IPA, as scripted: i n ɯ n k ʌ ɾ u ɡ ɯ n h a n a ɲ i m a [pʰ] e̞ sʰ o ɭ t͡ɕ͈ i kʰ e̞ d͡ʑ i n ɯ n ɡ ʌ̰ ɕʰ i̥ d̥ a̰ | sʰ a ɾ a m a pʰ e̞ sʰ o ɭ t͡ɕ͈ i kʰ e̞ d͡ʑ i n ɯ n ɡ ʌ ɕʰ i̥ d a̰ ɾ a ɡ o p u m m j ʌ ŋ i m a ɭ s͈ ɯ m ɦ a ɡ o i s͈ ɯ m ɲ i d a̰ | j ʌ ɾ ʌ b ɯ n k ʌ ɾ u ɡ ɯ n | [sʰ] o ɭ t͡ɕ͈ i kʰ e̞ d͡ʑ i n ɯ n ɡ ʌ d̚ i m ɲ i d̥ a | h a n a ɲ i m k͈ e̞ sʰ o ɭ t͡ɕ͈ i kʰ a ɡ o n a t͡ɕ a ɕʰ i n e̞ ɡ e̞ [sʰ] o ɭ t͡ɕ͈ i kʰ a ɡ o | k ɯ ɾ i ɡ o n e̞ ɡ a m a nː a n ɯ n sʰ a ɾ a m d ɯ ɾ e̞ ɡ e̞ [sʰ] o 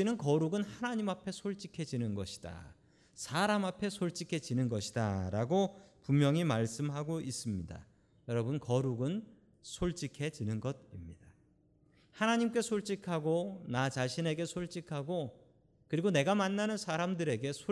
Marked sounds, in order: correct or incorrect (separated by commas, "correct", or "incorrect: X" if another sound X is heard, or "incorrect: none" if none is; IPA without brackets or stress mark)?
correct, correct, correct, correct